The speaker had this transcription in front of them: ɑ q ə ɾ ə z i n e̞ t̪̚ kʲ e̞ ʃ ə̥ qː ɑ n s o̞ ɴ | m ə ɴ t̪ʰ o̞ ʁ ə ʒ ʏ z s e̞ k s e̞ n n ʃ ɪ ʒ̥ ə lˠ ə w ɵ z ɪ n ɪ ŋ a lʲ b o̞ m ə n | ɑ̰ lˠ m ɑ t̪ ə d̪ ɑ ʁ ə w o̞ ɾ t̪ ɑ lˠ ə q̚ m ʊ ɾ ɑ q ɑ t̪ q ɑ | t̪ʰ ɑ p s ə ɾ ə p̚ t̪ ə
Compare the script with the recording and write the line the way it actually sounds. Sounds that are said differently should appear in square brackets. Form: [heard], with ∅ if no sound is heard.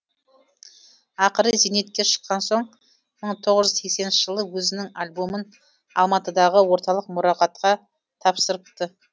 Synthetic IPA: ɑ q ə ɾ ə z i n e̞ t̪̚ kʲ e̞ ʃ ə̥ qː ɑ n s o̞ ɴ | m ə ɴ t̪ʰ o̞ ʁ ə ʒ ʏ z s e̞ k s e̞ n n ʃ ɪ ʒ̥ ə lˠ ə w ɵ z ɪ n ɪ ŋ a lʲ b o̞ m ə n | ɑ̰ lˠ m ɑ t̪ ə d̪ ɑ ʁ ə w o̞ ɾ t̪ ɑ lˠ ə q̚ m ʊ ɾ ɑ q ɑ t̪ q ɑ | t̪ʰ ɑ p s ə ɾ ə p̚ t̪ ə